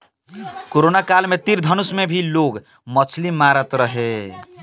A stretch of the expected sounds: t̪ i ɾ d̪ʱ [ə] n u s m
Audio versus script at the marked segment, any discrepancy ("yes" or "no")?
yes